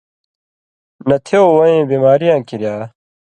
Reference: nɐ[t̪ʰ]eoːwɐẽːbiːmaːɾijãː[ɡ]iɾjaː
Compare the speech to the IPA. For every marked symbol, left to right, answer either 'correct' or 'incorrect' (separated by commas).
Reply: correct, incorrect